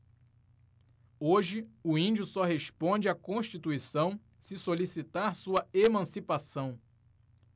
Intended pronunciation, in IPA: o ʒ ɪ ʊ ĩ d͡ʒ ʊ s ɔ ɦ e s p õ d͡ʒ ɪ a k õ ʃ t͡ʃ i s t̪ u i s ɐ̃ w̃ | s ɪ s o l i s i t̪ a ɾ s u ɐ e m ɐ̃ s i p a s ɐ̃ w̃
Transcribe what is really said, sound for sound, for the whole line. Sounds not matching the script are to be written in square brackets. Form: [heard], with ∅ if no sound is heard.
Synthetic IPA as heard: o ʒ ɪ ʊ ĩ d͡ʒ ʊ s ɔ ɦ e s p õ d͡ʒ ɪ a k õ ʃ t͡ʃ i [∅] t̪ u i s ɐ̃ w̃ | s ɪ s o l i s i t̪ a ɾ s u ɐ e m ɐ̃ s i p a s ɐ̃ w̃